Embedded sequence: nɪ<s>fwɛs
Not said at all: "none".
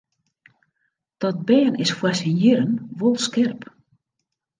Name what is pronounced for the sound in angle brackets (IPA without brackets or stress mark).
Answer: s